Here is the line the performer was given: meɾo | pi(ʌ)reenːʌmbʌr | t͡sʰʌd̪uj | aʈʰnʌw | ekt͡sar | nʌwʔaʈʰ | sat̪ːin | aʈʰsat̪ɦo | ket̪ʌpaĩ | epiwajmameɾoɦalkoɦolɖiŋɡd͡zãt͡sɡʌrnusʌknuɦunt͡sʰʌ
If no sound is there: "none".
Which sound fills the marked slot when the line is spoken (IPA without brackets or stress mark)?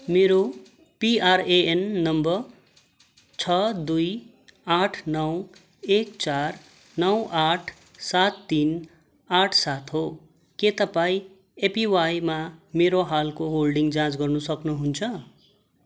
a